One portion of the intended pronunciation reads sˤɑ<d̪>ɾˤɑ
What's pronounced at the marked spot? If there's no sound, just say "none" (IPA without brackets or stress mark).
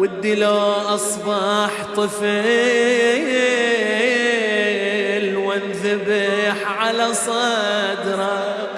d̪